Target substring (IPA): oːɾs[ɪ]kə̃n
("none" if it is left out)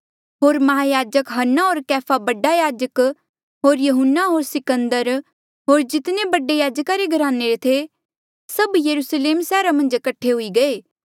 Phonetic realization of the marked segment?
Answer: ɪ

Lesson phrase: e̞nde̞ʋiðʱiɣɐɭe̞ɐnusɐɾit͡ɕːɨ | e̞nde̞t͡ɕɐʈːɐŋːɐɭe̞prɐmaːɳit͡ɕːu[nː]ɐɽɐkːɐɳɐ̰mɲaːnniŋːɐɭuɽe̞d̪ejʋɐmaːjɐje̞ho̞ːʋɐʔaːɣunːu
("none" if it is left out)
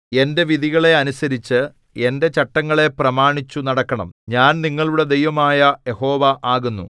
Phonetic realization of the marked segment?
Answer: n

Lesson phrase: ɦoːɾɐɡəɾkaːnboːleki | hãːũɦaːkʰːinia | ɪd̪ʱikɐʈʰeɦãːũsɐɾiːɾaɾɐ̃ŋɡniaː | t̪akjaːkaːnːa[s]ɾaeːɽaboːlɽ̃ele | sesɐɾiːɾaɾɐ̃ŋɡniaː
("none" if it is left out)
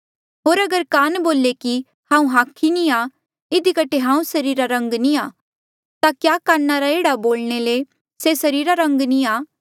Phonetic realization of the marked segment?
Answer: none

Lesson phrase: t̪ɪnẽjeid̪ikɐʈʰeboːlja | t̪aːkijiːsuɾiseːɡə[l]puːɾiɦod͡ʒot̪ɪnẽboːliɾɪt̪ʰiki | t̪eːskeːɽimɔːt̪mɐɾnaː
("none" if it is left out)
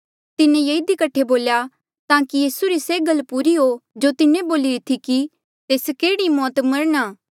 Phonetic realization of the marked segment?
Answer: l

